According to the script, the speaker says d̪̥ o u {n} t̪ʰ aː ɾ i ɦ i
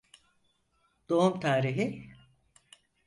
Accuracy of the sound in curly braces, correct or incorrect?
incorrect